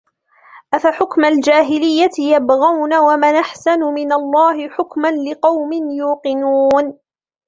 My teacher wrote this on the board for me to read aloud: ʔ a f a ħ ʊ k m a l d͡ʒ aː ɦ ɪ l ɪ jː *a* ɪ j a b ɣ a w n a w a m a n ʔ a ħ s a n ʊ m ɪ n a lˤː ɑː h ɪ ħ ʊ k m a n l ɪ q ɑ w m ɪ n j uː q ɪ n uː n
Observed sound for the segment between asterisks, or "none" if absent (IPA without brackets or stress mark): a